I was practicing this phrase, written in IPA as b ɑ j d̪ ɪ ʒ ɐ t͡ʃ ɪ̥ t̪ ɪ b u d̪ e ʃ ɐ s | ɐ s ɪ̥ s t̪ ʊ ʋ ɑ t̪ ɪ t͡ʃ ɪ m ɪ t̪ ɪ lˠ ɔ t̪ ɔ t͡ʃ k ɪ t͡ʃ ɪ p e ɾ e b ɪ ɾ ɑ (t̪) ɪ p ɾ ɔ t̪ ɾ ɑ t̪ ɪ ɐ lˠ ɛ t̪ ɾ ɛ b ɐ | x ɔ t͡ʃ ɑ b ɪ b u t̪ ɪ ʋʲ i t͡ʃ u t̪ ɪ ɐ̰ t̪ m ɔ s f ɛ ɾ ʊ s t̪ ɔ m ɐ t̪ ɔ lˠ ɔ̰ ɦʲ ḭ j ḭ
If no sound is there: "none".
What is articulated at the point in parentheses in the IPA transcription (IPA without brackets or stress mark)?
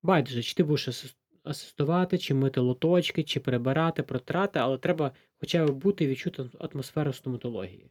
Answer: t̪